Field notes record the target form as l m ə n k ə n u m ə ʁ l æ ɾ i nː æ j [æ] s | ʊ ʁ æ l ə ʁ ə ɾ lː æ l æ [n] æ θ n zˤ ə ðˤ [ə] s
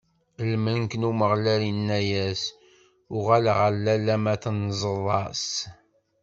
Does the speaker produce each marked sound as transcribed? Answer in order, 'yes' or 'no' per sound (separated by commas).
yes, no, no